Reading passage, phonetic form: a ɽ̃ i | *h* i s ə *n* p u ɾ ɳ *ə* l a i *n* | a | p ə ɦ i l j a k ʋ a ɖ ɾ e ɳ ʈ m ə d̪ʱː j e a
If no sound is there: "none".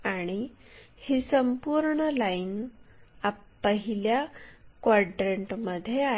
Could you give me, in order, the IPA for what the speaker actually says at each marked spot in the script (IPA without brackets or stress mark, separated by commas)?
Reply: h, m, ə, n